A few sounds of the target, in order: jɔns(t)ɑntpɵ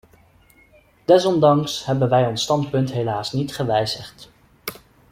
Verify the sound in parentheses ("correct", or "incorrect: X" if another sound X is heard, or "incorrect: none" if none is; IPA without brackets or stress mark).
correct